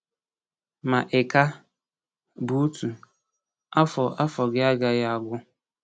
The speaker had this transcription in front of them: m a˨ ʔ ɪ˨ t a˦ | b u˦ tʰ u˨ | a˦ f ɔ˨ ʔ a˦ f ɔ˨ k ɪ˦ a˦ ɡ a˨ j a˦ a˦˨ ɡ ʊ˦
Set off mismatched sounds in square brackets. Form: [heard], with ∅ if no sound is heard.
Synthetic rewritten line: m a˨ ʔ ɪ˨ [k] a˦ | b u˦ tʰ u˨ | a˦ f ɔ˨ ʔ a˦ f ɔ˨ [ɡ] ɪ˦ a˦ ɡ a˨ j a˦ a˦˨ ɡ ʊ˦